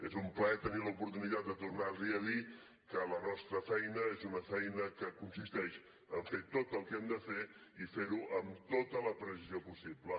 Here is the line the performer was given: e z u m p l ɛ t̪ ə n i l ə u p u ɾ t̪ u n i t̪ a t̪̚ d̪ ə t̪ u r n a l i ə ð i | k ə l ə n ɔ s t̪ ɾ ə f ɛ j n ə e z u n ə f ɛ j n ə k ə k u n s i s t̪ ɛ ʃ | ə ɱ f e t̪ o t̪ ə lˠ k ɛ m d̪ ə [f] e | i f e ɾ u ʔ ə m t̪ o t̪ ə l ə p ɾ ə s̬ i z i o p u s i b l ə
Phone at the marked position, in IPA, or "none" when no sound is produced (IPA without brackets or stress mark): f